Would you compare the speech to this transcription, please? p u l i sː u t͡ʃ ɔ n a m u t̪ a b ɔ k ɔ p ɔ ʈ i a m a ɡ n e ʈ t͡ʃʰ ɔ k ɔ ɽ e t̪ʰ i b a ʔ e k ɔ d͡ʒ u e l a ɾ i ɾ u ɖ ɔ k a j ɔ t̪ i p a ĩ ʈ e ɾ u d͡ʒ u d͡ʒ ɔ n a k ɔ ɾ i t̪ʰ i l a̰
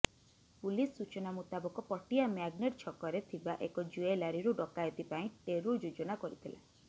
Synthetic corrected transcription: p u l i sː u t͡ʃ ɔ n a m u t̪ a b ɔ k ɔ p ɔ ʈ i a m a ɡ n e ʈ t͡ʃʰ ɔ k ɔ ɾ e t̪ʰ i b a ʔ e k ɔ d͡ʒ u e l a ɾ i ɾ u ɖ ɔ k a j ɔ t̪ i p a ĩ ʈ e ɾ u d͡ʒ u d͡ʒ ɔ n a k ɔ ɾ i t̪ʰ i l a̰

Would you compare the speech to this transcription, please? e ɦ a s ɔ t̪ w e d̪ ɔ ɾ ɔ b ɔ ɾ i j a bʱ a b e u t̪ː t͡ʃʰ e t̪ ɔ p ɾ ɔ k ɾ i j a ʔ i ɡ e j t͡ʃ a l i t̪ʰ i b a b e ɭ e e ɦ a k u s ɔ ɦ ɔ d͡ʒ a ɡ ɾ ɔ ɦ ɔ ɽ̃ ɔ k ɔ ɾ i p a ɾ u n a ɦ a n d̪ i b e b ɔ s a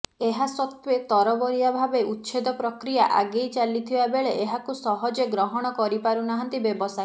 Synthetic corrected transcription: e ɦ a s ɔ t̪ w e t̪ ɔ ɾ ɔ b ɔ ɾ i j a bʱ a b e u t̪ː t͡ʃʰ e d̪ ɔ p ɾ ɔ k ɾ i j a ʔ a ɡ e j t͡ʃ a l i t̪ʰ i b a b e ɭ e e ɦ a k u s ɔ ɦ ɔ d͡ʒ e ɡ ɾ ɔ ɦ ɔ ɽ̃ ɔ k ɔ ɾ i p a ɾ u n a ɦ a n t̪ i b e b ɔ s a

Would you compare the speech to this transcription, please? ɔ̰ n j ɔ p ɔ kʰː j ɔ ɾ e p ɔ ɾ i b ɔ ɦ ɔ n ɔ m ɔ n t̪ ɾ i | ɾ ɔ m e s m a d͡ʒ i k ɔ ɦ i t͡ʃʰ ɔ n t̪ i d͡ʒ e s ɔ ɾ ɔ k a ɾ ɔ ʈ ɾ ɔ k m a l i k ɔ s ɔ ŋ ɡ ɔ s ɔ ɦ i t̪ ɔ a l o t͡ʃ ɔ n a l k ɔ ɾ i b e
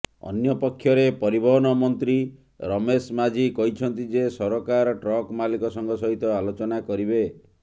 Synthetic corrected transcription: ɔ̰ n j ɔ p ɔ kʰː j ɔ ɾ e p ɔ ɾ i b ɔ ɦ ɔ n ɔ m ɔ n t̪ ɾ i | ɾ ɔ m e s m a d͡ʒ i k ɔ ɦ i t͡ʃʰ ɔ n t̪ i d͡ʒ e s ɔ ɾ ɔ k a ɾ ɔ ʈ ɾ ɔ k m a l i k ɔ s ɔ ŋ ɡ ɔ s ɔ ɦ i t̪ ɔ a l o t͡ʃ ɔ n a k ɔ ɾ i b e

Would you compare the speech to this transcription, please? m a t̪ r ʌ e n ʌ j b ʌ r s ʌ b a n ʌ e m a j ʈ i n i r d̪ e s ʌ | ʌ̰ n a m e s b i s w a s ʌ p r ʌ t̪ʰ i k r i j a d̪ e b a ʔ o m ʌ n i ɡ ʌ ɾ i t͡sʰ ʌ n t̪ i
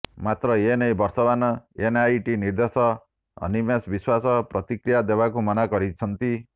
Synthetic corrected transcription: m a t̪ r ʌ e n ʌ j b ʌ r s ʌ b a n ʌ e n a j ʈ i n i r d̪ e s ʌ | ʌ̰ n i m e s b i s w a s ʌ p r ʌ t̪ i k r i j a d̪ e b a k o m ʌ n a ɡ ʌ ɾ i t͡sʰ ʌ n t̪ i

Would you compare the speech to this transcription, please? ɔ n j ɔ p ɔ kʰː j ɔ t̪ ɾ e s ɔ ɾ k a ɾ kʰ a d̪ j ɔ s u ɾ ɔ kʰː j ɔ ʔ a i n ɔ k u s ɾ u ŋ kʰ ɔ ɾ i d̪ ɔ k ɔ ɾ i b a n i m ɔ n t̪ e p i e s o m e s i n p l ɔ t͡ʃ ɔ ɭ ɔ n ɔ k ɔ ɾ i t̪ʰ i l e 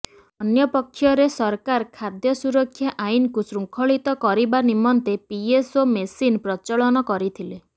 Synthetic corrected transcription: ɔ n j ɔ p ɔ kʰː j ɔ ɾ e s ɔ ɾ k a ɾ kʰ a d̪ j ɔ s u ɾ ɔ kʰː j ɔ ʔ a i n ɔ k u s ɾ u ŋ kʰ ɔ ɭ i t̪ ɔ k ɔ ɾ i b a n i m ɔ n t̪ e p i e s o m e s i n p ɾ ɔ t͡ʃ ɔ ɭ ɔ n ɔ k ɔ ɾ i t̪ʰ i l e

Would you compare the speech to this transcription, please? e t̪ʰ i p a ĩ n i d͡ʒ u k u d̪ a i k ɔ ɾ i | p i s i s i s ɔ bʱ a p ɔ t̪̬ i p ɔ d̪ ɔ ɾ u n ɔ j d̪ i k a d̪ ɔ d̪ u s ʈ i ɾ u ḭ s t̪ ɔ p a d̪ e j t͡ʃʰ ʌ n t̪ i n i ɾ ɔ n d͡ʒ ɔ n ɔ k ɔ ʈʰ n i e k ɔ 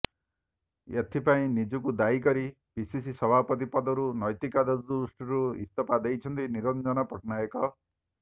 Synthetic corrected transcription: e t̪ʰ i p a ĩ n i d͡ʒ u k u d̪ a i k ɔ ɾ i | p i s i s i s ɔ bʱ a p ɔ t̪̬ i p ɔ d̪ ɔ ɾ u n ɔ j t̪ i k a d̪ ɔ d̪ u s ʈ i ɾ u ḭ s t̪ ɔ p a d̪ e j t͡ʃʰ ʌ n t̪ i n i ɾ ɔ n d͡ʒ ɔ n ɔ p ɔ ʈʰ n a e k ɔ

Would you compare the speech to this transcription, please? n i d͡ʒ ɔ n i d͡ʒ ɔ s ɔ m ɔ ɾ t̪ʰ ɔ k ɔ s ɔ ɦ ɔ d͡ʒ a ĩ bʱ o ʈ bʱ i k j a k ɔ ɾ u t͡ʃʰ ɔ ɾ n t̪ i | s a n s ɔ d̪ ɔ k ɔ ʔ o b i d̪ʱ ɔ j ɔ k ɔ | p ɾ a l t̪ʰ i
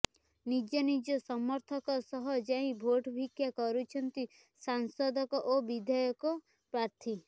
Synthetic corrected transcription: n i d͡ʒ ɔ n i d͡ʒ ɔ s ɔ m ɔ ɾ t̪ʰ ɔ k ɔ s ɔ ɦ ɔ d͡ʒ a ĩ bʱ o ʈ bʱ i k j a k ɔ ɾ u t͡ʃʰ ɔ n t̪ i | s a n s ɔ d̪ ɔ k ɔ ʔ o b i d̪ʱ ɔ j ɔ k ɔ | p ɾ a ɾ t̪ʰ i

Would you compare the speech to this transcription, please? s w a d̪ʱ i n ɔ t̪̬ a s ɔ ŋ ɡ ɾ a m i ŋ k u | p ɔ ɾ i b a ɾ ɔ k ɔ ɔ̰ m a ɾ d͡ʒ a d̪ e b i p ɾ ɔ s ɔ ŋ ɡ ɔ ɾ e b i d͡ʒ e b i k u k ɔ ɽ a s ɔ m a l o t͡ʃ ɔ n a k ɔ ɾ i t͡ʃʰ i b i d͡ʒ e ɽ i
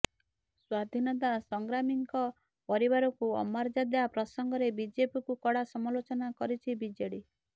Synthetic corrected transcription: s w a d̪ʱ i n ɔ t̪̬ a s ɔ ŋ ɡ ɾ a m i ŋ k ɔ | p ɔ ɾ i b a ɾ ɔ k u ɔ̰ m a ɾ d͡ʒ a d̪ e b a p ɾ ɔ s ɔ ŋ ɡ ɔ ɾ e b i d͡ʒ e p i k u k ɔ ɽ a s ɔ m a l o t͡ʃ ɔ n a k ɔ ɾ i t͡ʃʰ i b i d͡ʒ e ɽ i

